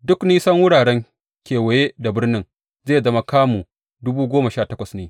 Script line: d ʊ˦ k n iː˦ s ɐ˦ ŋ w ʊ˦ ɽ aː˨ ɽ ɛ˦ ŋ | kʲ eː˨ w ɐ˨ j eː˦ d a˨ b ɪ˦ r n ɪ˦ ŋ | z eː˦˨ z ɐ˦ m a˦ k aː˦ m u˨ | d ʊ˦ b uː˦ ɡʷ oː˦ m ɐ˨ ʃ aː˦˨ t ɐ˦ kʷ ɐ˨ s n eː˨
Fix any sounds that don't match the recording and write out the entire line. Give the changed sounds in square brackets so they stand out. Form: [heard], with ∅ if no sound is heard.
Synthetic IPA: d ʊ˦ k n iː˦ s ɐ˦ ŋ w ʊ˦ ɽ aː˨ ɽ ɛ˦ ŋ | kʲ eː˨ w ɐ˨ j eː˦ d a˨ b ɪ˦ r n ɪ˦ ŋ | z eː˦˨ z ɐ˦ m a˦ k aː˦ m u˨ | d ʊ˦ b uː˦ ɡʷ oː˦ m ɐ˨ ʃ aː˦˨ t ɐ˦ kʷ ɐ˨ s n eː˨

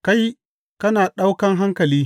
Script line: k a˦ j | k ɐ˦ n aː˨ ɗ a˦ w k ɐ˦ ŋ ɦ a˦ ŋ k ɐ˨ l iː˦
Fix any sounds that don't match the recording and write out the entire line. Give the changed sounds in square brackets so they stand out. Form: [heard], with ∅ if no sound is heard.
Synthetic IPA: k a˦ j | k ɐ˦ n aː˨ ɗ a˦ w k ɐ˦ ŋ ɦ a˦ ŋ k ɐ˨ l iː˦

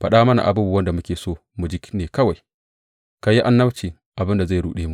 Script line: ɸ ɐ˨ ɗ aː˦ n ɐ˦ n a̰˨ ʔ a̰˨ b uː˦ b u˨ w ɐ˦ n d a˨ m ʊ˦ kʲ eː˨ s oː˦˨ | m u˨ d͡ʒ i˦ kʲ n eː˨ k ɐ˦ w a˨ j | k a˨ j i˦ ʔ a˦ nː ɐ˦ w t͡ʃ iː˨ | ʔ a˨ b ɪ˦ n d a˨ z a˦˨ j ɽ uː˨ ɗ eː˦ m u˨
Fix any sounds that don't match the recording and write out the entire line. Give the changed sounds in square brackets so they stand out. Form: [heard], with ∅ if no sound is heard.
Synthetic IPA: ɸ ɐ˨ ɗ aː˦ [m] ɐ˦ n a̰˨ ʔ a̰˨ b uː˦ b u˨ w ɐ˦ n d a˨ m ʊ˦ kʲ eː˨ s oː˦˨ | m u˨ d͡ʒ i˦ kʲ n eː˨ k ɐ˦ w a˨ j | k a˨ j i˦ ʔ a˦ nː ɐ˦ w t͡ʃ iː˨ | ʔ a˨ b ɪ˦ n d a˨ z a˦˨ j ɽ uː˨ ɗ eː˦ m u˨

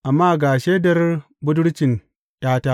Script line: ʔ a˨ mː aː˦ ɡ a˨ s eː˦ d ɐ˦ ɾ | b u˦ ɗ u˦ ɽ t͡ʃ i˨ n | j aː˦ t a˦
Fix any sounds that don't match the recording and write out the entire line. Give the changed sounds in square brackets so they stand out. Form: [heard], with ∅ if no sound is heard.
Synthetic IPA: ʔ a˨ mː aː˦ ɡ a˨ [ʃ] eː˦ d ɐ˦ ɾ | b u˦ [d] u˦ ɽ t͡ʃ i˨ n | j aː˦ t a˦

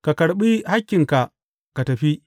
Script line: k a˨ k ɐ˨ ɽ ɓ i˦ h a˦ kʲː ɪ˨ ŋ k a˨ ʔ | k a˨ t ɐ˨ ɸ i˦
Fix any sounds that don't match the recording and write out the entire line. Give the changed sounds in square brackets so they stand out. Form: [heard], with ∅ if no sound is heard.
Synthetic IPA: k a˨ k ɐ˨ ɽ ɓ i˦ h a˦ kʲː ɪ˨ ŋ k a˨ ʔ | k a˨ t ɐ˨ ɸ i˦

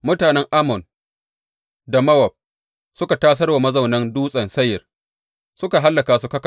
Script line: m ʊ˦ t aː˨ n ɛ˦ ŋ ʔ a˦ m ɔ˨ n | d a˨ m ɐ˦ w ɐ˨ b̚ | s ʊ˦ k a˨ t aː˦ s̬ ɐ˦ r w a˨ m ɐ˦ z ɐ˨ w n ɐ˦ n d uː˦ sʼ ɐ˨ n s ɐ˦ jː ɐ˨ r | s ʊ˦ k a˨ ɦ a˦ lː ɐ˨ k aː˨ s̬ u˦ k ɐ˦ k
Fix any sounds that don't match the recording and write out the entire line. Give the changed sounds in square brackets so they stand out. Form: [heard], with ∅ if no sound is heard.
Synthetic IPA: m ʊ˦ t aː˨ n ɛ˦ ŋ ʔ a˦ m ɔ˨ n | d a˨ m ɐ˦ w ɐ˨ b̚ | s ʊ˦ k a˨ t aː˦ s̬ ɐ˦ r w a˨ m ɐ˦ z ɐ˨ w n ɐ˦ n d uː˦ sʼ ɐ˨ n s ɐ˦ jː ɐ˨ r | s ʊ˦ k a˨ ɦ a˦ lː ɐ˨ k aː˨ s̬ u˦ k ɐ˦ k

